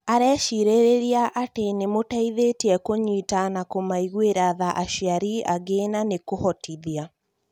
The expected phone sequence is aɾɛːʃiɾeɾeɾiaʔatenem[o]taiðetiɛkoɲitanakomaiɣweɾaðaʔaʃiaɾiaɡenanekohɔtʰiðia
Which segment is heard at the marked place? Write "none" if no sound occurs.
o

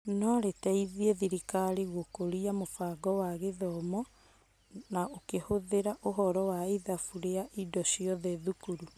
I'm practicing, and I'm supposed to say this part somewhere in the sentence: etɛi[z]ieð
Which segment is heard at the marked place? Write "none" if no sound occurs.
ð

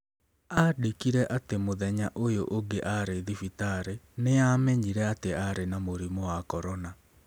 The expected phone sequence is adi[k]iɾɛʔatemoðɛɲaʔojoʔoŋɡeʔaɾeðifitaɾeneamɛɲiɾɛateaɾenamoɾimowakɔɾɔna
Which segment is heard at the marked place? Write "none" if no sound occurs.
k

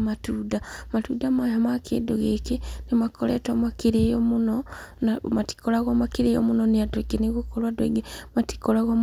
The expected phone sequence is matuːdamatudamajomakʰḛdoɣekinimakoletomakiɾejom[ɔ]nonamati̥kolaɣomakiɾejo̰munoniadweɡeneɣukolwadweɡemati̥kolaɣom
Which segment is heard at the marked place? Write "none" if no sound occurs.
u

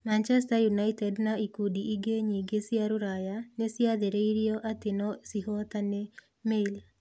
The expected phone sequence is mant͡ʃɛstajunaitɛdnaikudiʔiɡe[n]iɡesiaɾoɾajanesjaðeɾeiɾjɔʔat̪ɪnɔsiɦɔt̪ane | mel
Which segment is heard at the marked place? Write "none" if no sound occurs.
ɲ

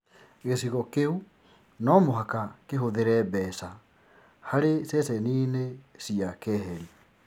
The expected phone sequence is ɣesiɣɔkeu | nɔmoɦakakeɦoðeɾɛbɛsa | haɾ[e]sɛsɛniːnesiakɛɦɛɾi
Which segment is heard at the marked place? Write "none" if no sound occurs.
e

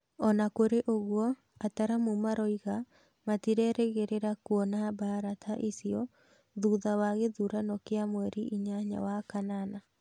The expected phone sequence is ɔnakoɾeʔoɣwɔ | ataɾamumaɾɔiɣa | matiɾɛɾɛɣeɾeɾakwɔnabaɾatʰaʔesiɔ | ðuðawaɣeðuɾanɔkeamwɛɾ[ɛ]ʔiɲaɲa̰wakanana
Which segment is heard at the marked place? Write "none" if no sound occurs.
i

